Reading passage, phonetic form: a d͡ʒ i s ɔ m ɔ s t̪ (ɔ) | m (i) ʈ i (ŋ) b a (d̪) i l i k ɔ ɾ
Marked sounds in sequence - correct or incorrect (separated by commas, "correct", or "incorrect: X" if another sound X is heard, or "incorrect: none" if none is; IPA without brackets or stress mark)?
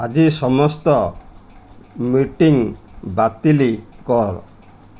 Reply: correct, correct, correct, incorrect: t̪